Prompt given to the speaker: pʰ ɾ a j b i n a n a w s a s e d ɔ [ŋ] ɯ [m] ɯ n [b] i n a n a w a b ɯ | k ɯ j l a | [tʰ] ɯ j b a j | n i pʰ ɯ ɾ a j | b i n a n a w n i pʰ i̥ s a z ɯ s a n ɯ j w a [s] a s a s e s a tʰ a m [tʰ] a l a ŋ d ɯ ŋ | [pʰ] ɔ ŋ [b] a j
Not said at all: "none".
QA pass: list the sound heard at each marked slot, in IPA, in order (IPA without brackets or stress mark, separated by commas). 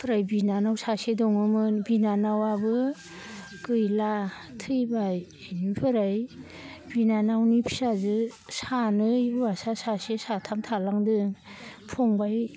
ŋ, m, b, tʰ, s, tʰ, pʰ, b